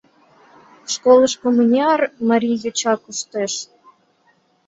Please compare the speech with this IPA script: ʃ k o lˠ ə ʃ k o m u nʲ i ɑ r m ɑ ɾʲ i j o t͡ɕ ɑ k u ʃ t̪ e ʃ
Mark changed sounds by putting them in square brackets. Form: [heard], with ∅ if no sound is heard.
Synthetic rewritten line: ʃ k o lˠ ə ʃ k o m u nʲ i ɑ r m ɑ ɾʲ i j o t͡ɕ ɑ k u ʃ t̪ e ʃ